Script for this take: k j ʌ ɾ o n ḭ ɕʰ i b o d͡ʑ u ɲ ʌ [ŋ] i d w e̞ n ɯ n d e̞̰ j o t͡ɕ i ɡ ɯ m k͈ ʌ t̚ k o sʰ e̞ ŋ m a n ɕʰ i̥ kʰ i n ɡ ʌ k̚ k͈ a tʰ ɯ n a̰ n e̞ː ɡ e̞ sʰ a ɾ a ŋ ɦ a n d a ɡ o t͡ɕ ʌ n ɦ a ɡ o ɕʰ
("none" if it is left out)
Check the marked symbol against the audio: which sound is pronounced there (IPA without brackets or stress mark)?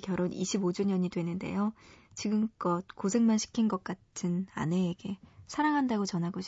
ɲ